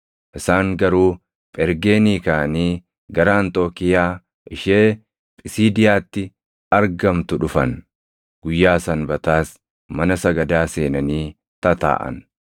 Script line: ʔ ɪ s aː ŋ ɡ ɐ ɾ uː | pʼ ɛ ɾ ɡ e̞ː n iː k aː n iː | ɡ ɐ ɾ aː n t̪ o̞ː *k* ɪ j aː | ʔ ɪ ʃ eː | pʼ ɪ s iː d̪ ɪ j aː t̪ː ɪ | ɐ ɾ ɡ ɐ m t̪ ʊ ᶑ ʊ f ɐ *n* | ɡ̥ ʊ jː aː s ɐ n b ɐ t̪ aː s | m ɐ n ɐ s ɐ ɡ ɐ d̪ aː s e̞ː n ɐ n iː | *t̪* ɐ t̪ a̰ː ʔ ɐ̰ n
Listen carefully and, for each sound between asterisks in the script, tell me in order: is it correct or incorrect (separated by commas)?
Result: correct, correct, correct